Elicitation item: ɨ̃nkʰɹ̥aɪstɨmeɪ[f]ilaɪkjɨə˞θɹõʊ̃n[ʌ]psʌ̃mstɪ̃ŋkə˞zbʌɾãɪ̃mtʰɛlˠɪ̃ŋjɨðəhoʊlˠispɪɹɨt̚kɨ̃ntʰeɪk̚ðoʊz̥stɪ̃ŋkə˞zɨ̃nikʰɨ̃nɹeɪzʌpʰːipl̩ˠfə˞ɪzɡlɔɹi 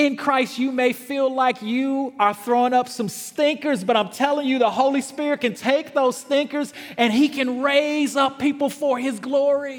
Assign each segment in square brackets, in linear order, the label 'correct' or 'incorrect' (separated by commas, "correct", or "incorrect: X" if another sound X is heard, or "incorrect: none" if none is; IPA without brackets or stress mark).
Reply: correct, correct